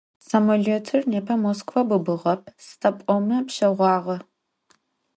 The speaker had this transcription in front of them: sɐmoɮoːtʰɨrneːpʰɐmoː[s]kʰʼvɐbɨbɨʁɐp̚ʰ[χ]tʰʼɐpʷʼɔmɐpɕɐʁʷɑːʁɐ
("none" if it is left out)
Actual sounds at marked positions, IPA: s, s

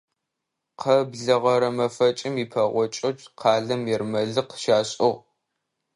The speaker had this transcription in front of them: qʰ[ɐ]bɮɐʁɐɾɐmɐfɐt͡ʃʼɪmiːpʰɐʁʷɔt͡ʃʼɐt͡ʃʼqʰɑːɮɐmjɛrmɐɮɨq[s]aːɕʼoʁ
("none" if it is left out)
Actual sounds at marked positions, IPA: ɐ, ʃ

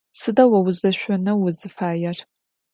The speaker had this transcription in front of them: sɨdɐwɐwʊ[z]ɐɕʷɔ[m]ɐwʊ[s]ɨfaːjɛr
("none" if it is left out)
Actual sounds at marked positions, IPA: z, n, z

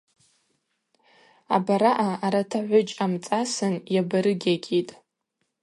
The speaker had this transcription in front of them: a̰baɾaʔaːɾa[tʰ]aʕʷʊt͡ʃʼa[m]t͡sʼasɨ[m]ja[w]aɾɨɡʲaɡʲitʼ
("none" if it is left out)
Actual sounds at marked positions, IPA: tʰ, m, n, b

